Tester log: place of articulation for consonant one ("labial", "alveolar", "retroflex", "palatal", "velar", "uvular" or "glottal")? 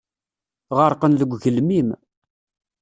uvular